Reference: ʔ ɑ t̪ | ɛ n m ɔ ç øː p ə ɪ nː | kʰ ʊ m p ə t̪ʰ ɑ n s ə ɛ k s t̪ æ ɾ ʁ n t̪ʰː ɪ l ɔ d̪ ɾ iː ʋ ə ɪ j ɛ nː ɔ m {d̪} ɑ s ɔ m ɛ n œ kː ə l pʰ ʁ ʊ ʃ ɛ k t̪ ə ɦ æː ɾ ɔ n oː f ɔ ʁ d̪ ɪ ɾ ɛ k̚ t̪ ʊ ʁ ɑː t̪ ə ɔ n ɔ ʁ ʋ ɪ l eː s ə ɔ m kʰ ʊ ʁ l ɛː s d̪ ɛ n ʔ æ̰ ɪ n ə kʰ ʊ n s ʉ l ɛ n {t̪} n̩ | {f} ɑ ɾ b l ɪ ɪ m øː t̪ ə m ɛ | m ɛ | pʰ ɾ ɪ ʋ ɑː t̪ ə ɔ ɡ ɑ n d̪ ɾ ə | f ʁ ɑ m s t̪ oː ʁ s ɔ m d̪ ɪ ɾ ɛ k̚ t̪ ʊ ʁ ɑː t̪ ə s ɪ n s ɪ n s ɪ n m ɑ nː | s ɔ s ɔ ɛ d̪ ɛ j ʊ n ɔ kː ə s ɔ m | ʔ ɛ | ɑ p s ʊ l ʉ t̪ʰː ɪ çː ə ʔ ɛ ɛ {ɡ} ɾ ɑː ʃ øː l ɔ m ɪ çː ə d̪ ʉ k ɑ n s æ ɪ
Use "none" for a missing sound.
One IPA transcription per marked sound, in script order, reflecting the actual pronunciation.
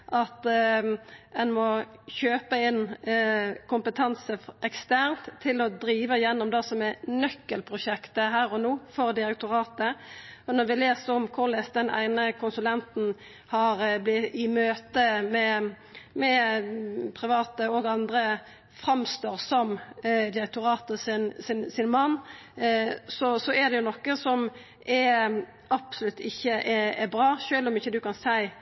d̪, t̪, h, b

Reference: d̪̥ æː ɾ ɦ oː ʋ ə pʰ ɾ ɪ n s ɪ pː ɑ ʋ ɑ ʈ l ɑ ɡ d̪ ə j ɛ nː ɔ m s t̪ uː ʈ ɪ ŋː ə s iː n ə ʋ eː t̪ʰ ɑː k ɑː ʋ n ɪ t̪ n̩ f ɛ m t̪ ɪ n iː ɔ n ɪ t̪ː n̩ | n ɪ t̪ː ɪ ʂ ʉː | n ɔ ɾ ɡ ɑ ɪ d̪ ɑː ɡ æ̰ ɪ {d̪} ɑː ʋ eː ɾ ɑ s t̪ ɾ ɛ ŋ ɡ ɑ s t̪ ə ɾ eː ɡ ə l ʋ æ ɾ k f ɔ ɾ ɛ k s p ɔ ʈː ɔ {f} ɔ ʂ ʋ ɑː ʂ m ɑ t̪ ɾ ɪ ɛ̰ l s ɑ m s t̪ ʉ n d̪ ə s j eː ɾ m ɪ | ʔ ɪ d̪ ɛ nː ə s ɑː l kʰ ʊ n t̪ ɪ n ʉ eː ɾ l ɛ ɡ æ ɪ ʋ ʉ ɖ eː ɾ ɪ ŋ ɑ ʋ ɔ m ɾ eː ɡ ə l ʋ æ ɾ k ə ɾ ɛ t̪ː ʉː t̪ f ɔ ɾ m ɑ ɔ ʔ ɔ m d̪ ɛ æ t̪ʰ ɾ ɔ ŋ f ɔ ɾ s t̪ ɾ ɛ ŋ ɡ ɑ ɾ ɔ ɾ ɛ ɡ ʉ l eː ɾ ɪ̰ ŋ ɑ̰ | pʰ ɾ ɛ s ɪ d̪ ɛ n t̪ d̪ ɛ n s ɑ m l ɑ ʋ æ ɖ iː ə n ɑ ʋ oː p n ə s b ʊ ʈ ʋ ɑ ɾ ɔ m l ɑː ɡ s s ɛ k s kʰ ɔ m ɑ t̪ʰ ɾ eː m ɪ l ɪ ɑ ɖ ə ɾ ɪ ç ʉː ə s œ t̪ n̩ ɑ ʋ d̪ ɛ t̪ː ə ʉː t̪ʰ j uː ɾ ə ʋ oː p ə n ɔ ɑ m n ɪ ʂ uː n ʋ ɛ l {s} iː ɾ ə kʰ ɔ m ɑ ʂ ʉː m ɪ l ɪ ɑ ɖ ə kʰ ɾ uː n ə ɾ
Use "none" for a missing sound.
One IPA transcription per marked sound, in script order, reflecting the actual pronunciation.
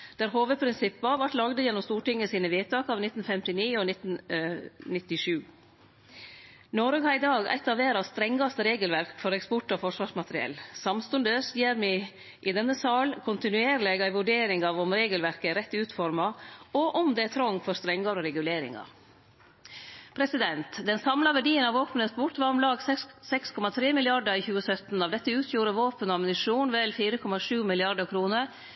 t̪, f, f

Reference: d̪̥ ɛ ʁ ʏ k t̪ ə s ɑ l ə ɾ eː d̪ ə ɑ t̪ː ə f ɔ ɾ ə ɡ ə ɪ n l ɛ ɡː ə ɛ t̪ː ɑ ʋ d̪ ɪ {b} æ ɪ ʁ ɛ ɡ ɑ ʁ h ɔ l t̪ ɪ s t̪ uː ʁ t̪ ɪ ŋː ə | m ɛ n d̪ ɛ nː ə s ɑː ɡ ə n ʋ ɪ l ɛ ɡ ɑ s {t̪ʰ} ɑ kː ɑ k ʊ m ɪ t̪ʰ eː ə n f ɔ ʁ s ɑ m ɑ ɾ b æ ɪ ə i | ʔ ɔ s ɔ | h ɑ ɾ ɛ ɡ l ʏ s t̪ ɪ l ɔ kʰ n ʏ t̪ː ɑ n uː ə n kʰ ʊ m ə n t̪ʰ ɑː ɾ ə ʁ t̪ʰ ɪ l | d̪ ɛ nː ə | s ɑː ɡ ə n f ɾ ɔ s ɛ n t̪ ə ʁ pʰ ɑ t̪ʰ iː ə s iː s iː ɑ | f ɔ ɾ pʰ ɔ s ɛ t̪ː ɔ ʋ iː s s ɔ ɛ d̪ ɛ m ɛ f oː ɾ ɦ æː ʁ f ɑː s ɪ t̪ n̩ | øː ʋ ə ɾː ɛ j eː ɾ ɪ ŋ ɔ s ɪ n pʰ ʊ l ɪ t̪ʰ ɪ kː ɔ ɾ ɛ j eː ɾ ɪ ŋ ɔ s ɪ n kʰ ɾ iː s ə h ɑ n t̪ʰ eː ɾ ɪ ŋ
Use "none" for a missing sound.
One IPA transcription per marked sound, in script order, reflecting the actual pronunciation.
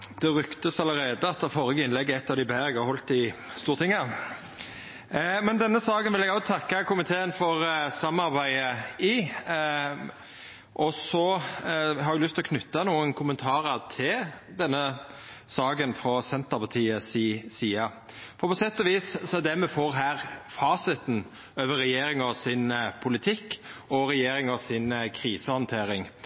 b, t̪ʰ

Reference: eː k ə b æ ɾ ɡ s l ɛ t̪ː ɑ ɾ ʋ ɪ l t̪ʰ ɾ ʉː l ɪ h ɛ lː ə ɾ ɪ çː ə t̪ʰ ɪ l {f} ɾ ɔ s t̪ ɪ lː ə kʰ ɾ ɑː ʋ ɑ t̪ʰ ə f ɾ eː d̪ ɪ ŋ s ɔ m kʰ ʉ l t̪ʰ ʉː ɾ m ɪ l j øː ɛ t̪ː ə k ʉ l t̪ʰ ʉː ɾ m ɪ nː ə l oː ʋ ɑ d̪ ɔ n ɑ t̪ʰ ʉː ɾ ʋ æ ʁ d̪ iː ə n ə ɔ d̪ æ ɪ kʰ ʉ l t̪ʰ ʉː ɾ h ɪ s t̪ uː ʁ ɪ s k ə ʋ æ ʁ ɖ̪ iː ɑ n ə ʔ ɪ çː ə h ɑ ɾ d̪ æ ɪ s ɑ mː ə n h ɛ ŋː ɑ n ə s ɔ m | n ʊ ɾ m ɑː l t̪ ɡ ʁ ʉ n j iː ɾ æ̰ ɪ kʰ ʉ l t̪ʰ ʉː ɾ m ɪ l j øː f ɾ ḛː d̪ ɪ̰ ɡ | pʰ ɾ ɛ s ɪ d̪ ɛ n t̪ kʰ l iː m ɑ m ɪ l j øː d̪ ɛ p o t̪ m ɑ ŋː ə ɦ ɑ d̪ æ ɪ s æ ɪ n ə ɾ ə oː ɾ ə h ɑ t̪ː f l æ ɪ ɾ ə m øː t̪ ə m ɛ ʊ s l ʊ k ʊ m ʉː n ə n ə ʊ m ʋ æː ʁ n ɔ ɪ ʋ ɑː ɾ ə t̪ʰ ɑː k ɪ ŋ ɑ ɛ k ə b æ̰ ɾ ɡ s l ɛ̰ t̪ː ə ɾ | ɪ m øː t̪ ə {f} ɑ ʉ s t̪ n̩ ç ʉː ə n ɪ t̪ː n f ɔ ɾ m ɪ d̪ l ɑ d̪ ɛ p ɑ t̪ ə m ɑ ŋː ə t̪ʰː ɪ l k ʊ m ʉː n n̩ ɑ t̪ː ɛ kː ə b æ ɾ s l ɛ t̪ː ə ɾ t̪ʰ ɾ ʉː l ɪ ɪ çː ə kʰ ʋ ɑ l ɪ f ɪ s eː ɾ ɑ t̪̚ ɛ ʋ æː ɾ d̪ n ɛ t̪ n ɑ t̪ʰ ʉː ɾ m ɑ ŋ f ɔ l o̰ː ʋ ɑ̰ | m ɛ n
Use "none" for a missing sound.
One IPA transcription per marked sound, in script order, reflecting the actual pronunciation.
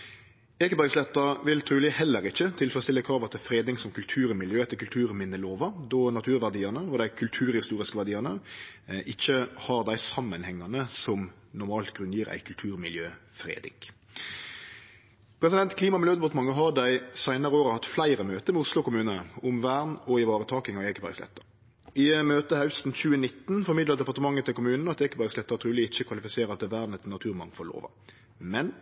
f, h

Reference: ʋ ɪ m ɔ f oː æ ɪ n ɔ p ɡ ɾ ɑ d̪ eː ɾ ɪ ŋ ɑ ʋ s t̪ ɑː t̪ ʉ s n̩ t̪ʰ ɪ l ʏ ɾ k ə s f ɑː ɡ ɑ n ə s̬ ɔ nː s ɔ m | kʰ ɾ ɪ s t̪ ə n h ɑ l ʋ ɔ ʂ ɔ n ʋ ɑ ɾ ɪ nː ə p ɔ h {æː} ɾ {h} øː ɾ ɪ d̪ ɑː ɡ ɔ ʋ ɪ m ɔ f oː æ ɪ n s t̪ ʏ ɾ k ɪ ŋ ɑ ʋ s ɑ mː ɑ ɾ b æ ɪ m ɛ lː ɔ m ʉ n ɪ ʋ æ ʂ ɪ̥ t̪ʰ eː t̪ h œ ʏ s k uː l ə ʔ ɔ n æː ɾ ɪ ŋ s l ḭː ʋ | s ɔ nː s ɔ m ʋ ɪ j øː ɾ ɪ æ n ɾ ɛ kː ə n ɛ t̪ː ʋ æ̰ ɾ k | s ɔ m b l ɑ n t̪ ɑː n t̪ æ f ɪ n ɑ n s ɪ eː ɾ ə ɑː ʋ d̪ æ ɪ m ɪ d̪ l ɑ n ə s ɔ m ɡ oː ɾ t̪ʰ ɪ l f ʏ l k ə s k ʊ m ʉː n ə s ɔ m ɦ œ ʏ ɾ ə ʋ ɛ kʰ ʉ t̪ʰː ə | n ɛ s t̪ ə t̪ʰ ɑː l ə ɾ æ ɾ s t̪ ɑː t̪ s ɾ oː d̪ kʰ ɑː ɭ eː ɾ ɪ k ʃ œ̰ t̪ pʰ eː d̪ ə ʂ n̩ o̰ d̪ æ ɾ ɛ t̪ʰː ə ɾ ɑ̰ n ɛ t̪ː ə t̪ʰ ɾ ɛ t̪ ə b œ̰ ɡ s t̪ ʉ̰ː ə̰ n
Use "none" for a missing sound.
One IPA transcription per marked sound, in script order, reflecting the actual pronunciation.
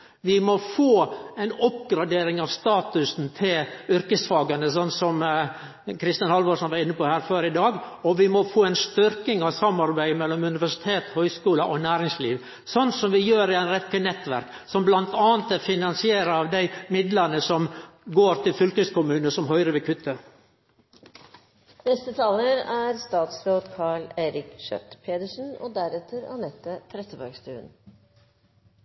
æː, f

